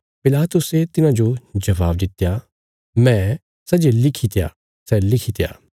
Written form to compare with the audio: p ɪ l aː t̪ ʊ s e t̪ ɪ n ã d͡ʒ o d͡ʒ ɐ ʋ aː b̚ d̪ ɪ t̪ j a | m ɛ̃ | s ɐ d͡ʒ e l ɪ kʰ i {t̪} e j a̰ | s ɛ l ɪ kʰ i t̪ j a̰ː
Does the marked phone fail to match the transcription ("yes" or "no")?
no